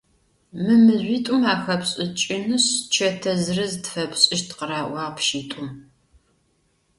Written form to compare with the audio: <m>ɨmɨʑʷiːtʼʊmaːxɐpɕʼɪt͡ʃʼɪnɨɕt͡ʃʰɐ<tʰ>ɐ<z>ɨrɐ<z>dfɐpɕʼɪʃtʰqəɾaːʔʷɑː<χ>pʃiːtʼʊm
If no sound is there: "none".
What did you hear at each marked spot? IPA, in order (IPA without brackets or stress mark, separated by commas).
m, tʰ, z, z, ʁ